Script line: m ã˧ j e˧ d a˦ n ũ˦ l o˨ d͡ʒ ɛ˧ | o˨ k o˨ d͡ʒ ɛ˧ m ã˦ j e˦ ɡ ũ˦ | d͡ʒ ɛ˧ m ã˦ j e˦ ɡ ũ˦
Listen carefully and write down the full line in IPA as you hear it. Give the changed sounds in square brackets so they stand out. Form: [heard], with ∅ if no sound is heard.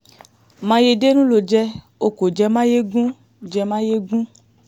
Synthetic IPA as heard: m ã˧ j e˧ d [e˦] n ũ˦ l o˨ d͡ʒ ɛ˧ | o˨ k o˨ d͡ʒ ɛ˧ m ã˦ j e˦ ɡ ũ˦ | d͡ʒ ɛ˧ m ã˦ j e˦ ɡ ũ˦